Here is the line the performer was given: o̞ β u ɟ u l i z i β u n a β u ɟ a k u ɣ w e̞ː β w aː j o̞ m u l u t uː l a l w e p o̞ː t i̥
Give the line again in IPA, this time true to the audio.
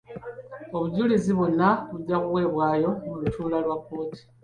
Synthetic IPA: o̞ β u ɟ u l i z i β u n a β u ɟ a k u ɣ w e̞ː β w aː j o̞ m u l u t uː l a l w a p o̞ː t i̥